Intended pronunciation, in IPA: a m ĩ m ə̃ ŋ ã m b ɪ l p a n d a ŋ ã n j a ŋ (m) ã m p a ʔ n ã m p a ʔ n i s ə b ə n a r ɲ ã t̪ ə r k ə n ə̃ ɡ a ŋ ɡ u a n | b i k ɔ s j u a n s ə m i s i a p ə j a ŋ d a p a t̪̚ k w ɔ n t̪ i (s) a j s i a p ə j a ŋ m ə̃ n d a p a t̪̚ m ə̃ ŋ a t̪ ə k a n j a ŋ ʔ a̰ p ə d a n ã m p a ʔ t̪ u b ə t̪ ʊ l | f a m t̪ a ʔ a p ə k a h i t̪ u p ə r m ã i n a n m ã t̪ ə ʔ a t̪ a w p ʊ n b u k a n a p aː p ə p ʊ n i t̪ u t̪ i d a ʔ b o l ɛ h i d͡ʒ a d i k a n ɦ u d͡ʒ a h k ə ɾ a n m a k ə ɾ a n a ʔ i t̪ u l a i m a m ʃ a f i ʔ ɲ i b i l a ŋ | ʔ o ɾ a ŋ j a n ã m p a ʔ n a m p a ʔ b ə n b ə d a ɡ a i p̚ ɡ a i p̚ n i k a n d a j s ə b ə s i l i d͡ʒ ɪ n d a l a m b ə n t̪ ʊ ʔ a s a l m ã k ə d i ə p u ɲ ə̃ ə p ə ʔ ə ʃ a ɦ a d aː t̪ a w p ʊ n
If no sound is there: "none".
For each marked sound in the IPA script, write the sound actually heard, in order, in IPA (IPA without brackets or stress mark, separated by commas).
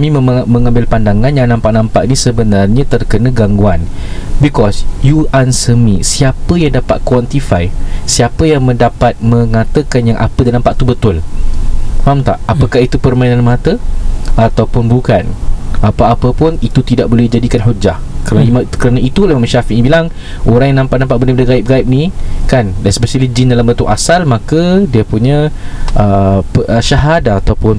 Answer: n, f